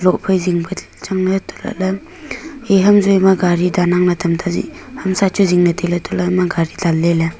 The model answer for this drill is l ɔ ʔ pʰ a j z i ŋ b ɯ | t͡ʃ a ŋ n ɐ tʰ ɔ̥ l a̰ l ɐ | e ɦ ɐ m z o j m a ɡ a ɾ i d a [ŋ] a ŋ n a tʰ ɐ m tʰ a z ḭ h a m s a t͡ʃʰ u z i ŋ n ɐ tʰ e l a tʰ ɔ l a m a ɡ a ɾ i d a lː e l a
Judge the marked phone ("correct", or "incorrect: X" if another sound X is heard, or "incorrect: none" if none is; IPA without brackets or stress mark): incorrect: n